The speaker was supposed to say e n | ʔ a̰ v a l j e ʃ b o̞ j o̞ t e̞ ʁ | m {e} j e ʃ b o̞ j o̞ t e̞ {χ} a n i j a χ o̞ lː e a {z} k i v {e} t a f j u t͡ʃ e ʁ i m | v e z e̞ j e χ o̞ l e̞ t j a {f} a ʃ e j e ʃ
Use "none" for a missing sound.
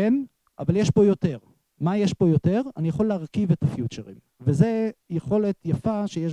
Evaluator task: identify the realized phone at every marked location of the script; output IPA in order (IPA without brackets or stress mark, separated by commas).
a, ʁ, ʁ, e, f